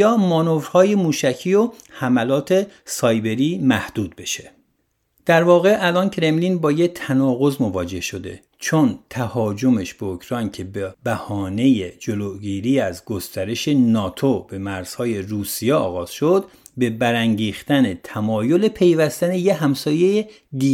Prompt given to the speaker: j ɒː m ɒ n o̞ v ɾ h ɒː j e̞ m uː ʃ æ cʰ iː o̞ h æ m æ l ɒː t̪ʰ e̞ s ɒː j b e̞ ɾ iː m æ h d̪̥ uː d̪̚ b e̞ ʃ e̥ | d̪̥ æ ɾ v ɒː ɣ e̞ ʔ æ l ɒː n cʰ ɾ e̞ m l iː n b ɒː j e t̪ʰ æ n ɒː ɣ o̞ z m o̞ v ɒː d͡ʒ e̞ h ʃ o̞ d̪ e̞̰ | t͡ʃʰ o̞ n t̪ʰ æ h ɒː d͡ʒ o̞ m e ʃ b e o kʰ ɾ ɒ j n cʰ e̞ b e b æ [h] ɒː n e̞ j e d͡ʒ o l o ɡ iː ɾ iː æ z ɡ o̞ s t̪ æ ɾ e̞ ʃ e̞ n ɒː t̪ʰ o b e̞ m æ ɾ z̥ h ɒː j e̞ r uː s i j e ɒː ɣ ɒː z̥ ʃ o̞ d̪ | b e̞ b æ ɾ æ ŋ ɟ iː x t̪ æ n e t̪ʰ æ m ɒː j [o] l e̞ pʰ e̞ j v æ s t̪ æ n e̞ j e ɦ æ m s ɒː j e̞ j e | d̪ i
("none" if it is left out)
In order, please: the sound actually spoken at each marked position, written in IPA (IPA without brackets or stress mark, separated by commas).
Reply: h, o